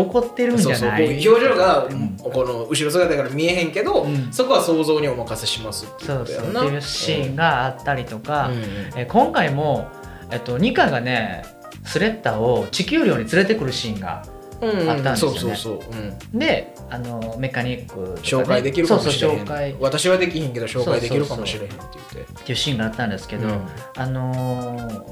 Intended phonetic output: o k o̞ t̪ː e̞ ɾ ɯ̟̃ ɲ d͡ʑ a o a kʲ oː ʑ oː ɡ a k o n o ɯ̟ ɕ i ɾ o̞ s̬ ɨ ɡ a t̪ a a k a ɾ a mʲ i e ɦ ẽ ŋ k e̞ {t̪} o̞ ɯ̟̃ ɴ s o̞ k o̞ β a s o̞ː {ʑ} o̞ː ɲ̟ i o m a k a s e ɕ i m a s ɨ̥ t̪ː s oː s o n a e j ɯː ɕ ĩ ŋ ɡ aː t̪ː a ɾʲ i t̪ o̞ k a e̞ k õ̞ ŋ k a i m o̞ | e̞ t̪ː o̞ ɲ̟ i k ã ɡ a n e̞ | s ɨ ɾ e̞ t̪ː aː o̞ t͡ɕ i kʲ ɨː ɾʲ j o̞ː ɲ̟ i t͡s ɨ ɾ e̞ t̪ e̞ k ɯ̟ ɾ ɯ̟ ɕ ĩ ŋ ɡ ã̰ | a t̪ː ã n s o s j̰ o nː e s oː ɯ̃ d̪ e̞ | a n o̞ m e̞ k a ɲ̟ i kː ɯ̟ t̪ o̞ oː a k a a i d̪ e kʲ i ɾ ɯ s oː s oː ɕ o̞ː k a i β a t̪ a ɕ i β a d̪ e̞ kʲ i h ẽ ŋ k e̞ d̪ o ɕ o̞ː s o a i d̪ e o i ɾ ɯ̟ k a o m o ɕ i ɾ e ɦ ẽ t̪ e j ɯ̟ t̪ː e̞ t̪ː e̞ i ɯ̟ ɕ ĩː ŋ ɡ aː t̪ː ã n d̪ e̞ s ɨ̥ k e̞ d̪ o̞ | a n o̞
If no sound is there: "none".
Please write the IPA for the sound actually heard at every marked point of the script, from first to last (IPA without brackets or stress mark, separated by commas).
d̪, z